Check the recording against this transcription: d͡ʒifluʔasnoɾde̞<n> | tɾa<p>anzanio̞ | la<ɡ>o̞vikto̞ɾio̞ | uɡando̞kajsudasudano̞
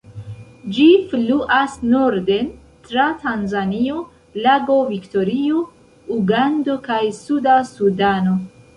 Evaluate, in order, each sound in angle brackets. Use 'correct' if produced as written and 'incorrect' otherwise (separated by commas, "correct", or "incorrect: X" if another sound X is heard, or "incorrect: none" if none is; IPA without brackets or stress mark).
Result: correct, incorrect: t, correct